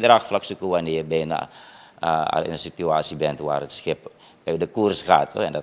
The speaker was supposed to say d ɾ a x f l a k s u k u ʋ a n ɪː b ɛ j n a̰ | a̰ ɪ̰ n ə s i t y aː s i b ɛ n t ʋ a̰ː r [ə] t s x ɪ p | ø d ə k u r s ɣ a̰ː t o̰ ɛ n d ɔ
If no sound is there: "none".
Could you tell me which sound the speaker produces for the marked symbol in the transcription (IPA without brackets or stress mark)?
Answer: ə